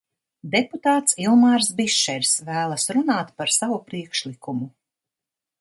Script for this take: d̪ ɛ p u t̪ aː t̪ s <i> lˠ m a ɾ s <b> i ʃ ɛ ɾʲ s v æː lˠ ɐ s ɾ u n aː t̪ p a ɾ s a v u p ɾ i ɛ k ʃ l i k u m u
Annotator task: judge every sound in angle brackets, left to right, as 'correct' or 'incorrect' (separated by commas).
correct, correct